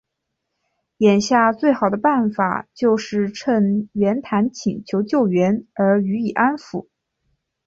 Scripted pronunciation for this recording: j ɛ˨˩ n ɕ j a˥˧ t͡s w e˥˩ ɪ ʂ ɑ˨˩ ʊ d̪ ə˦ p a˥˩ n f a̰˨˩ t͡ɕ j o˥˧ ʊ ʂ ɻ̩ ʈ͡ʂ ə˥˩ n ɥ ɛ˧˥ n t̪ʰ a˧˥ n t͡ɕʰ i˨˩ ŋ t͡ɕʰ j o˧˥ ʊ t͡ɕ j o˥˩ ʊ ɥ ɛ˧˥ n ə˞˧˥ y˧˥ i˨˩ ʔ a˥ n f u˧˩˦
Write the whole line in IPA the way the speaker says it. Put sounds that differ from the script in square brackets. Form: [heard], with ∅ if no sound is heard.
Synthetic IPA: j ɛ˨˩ n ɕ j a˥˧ t͡s w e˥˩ ɪ [x] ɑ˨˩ ʊ d̪ ə˦ p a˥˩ n f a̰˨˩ t͡ɕ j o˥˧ ʊ ʂ ɻ̩ [ʈ͡ʂʰ] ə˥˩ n ɥ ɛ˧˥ n t̪ʰ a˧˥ n t͡ɕʰ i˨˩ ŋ t͡ɕʰ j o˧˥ ʊ t͡ɕ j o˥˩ ʊ ɥ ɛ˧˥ n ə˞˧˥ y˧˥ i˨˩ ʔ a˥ n f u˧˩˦